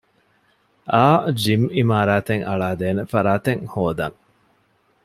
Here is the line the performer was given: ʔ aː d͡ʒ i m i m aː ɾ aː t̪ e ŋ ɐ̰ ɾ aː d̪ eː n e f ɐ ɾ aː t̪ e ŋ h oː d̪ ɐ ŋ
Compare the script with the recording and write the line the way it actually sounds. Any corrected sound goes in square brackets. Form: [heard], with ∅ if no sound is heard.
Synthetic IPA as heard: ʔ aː d͡ʒ i m i m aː ɾ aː t̪ e ŋ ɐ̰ [ɭ] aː d̪ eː n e f ɐ ɾ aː t̪ e ŋ h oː d̪ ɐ ŋ